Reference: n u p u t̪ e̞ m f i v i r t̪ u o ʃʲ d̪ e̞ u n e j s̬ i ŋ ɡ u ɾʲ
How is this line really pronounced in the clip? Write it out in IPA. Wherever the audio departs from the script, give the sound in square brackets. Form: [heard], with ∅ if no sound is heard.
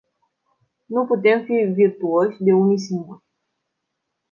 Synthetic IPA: n u p u t̪ e̞ m f i v i r t̪ u o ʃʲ d̪ e̞ u n [i] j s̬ i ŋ ɡ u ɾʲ